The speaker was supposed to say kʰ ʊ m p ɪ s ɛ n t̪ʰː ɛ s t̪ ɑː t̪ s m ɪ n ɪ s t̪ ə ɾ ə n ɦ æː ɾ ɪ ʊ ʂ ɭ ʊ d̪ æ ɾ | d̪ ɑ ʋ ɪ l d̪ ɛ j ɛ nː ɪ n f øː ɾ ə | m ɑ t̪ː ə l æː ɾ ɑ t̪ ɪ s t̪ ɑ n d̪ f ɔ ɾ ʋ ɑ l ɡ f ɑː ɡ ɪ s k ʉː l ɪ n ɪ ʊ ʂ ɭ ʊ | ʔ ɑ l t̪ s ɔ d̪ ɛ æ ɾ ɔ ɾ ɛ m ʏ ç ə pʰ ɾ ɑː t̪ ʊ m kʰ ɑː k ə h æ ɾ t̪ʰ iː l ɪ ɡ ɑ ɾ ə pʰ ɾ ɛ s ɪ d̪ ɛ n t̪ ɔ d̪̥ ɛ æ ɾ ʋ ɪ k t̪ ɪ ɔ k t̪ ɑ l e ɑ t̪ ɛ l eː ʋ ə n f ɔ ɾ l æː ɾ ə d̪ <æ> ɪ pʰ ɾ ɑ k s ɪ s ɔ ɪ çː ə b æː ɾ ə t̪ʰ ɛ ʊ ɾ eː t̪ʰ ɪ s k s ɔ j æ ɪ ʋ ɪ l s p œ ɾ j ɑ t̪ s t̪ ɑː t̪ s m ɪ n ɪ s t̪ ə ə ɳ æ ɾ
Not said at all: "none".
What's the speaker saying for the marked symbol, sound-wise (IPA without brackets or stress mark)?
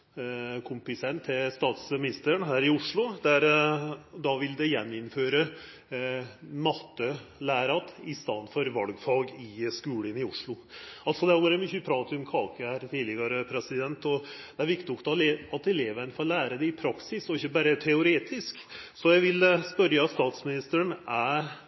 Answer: ɛ